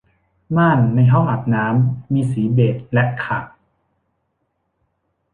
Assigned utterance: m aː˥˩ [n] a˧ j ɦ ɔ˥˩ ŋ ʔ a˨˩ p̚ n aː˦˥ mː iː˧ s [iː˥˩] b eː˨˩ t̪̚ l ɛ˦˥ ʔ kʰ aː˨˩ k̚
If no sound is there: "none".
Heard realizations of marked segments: nː, iː˩˦

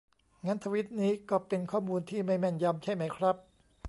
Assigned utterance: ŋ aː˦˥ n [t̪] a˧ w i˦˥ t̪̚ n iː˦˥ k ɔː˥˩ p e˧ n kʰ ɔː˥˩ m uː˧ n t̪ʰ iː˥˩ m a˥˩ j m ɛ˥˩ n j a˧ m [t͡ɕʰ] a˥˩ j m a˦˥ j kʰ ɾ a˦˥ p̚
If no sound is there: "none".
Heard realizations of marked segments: t̪ʰ, t͡ɕʰ

